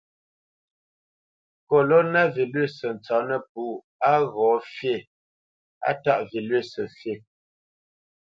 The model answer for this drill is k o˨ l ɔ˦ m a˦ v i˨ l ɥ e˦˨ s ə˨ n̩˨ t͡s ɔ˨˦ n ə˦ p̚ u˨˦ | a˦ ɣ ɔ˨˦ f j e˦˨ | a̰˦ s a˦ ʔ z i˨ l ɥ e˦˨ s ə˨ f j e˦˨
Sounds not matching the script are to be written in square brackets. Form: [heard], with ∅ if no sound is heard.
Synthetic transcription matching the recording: k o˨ l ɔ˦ [n] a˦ v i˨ l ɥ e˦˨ s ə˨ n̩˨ t͡s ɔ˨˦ n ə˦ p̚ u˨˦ | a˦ ɣ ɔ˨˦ f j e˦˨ | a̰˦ [t] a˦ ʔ [v] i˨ l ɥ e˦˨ s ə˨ f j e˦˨

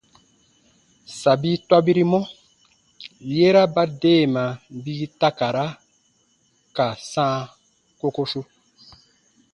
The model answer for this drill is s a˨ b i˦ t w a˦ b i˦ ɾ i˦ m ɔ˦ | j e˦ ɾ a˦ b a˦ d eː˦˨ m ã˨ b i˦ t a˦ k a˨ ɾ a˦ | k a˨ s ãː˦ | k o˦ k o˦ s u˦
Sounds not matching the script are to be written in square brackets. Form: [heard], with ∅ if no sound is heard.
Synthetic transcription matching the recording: s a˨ b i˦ t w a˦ b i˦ ɾ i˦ m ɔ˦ | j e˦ ɾ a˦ b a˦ d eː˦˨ m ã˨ b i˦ t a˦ k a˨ ɾ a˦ | k a˨ s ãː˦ | k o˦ k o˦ s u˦

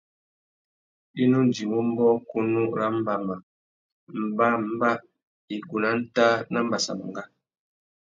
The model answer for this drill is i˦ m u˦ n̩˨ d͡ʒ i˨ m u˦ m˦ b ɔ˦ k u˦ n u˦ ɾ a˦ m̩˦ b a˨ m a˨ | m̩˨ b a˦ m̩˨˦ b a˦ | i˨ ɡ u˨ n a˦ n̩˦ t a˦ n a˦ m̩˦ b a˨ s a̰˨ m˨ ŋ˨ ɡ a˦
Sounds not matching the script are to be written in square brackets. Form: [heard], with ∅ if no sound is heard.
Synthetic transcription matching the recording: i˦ [n] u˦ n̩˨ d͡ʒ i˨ m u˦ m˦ b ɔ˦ k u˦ n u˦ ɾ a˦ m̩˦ b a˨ m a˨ | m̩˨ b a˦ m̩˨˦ b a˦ | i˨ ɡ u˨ n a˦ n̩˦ t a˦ n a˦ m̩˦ b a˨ s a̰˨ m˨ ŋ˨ ɡ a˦

